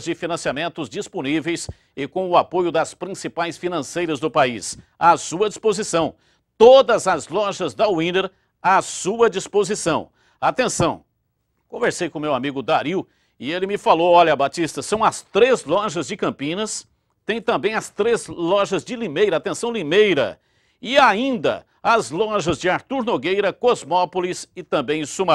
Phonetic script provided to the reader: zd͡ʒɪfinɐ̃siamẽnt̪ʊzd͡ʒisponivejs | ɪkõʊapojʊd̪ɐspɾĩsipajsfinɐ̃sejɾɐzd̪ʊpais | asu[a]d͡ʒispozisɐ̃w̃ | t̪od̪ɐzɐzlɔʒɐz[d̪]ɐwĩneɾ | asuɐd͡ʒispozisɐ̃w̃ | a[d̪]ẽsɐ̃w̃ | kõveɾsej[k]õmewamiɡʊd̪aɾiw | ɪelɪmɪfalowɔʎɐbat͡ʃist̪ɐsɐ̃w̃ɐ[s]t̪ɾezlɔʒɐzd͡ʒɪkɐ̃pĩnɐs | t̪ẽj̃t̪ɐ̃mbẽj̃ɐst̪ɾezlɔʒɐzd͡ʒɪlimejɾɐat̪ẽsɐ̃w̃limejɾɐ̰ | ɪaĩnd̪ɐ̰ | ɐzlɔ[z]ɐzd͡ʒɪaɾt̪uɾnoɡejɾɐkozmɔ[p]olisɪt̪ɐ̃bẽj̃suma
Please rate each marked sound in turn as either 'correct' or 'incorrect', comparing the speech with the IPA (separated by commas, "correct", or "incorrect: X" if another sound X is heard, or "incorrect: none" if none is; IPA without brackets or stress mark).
incorrect: ɐ, correct, incorrect: t̪, correct, correct, incorrect: ʒ, correct